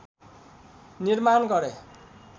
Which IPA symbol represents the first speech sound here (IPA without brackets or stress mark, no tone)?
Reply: n